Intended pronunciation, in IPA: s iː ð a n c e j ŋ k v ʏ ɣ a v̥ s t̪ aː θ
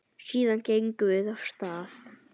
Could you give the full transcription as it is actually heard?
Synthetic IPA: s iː ð a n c e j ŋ k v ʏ ð a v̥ s t̪ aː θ